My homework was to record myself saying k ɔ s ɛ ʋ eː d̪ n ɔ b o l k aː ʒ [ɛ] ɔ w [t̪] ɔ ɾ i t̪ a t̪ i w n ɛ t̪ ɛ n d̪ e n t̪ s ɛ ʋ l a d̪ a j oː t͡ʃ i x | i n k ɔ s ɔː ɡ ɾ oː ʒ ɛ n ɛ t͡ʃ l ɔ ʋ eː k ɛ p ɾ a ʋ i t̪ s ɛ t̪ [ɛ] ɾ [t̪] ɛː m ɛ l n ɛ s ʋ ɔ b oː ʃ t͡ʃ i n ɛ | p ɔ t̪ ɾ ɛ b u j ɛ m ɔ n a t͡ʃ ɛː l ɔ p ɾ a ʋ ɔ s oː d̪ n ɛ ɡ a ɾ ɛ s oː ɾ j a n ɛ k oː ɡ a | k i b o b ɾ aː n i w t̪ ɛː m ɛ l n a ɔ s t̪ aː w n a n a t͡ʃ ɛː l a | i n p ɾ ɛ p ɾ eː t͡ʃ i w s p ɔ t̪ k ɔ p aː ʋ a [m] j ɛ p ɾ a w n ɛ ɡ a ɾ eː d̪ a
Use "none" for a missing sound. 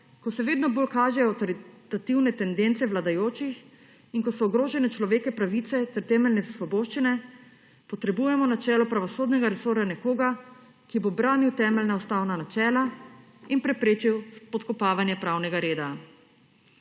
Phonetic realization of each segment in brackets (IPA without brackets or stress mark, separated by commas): ɛ, t̪, ɛ, t̪, n